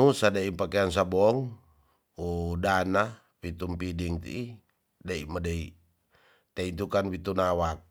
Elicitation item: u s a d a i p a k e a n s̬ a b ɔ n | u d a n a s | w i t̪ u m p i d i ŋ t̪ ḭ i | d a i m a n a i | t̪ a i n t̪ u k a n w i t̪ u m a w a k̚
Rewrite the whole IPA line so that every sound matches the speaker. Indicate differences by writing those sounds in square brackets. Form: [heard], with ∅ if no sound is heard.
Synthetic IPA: u s a d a i p a k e a n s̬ a b ɔ [ŋ] | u d a n a [∅] | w i t̪ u m p i d i ŋ t̪ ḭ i | d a i m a [d] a i | t̪ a i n t̪ u k a n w i t̪ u [n] a w a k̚